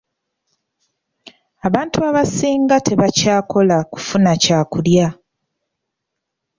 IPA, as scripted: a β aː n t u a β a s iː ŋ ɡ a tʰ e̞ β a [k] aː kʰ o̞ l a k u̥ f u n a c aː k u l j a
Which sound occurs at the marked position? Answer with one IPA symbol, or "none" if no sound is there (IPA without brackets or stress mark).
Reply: c